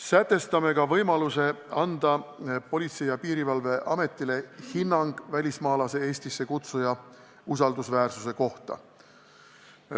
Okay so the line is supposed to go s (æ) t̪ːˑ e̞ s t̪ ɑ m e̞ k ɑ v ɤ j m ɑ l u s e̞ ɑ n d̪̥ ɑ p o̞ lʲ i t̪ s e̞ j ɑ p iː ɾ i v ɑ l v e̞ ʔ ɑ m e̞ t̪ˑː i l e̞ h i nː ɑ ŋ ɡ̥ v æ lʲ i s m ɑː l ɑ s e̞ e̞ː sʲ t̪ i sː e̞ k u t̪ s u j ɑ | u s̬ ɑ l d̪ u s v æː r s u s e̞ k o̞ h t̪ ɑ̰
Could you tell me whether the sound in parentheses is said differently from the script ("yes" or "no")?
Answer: no